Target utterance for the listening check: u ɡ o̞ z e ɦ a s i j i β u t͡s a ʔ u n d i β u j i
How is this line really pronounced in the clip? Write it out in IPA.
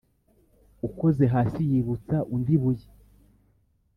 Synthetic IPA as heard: u k o̞ z e ɦ a s i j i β u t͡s a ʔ u n d i β u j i